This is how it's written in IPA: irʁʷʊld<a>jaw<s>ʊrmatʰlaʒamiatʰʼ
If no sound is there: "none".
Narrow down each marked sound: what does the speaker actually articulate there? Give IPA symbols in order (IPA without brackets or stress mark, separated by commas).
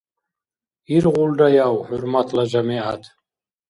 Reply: a, ħ